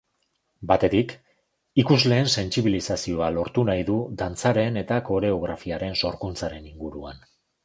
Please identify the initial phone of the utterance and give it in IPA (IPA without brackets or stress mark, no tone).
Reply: b